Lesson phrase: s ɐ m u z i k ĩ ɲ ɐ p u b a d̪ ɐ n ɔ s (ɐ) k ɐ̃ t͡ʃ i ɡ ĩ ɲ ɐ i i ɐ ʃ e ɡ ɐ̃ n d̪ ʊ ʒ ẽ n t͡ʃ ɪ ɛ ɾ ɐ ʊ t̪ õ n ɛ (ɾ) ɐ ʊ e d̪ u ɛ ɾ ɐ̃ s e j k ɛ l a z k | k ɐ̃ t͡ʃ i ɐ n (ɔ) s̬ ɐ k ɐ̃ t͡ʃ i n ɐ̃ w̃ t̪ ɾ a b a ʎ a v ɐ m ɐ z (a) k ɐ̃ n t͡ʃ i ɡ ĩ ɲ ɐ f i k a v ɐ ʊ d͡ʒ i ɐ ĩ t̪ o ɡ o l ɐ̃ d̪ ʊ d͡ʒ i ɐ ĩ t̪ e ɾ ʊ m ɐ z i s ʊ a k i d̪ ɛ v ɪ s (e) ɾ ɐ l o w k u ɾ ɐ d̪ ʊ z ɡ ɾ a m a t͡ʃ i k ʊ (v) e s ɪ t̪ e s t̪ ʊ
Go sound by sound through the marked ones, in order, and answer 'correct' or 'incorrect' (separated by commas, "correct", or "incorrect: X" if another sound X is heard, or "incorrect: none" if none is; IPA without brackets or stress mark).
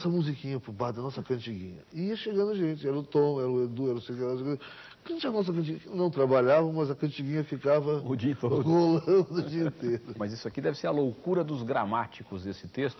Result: correct, correct, correct, incorrect: ɐ, correct, incorrect: z